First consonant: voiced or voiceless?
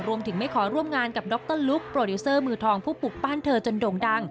voiced